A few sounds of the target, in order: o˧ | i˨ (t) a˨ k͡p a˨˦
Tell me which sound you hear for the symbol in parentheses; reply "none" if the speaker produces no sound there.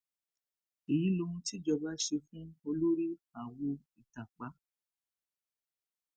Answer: t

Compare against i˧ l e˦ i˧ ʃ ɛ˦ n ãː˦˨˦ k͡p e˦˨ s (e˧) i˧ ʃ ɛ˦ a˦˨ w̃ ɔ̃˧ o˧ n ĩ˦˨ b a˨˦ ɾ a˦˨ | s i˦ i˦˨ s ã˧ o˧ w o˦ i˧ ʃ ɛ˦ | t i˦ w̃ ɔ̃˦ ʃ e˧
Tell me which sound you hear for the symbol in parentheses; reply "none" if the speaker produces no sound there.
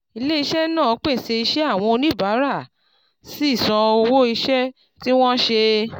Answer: e˧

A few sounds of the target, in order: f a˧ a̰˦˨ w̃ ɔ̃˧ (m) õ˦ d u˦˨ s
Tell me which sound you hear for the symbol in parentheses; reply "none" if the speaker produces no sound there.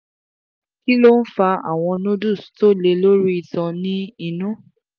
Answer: n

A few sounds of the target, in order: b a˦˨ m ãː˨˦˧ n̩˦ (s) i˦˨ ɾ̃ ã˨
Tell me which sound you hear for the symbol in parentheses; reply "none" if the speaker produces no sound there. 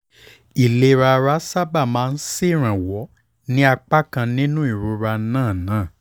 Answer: s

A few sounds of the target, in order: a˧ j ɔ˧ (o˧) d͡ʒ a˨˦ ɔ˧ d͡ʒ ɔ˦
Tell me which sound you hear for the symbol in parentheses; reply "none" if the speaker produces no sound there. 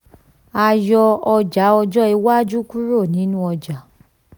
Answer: ɔ˧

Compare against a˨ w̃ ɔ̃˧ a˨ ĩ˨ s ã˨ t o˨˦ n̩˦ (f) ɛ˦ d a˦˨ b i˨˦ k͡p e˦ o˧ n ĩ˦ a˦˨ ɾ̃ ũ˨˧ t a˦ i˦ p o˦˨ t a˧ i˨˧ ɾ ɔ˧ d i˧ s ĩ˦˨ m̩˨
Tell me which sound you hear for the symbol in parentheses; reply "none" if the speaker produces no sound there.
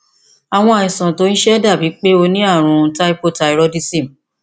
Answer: ʃ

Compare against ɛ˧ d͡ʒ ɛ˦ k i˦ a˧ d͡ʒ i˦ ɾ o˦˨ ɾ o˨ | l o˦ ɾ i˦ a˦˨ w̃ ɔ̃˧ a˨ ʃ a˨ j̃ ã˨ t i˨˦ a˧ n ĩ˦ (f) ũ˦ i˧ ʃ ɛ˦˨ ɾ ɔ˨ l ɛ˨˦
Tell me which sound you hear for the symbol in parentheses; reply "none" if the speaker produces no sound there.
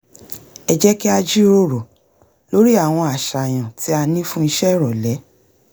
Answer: f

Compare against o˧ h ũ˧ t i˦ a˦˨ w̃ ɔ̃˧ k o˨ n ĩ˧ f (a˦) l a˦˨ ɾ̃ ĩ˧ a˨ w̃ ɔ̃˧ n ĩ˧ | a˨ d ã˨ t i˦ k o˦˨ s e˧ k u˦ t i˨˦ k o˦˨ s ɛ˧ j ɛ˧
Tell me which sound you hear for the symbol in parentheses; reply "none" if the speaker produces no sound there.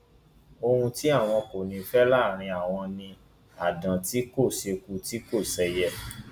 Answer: ɛ˦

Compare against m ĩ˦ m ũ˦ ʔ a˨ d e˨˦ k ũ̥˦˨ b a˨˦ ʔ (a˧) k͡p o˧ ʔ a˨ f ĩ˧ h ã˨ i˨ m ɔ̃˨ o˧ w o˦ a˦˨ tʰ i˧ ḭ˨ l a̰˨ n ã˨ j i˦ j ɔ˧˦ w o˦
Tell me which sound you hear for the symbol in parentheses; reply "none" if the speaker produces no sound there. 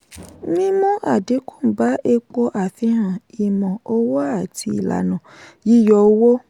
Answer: e˧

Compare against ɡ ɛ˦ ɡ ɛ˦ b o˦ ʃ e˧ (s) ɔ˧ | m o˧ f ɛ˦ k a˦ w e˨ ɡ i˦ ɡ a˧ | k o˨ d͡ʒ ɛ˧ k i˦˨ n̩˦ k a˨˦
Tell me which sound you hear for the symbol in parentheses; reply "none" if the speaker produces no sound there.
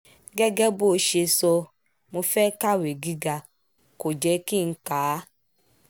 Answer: s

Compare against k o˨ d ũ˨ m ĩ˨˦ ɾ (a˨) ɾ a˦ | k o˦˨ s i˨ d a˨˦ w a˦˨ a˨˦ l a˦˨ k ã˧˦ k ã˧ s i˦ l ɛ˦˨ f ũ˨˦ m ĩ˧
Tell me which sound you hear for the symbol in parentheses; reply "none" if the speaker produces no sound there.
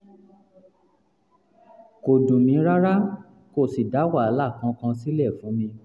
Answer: a˦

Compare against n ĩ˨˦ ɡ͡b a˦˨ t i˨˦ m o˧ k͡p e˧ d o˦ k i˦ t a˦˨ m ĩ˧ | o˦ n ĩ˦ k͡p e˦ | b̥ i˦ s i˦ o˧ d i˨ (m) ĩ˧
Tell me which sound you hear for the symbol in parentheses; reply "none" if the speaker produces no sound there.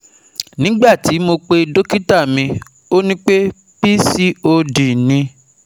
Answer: n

